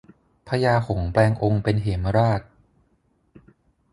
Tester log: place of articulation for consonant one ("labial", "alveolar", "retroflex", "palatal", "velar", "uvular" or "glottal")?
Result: labial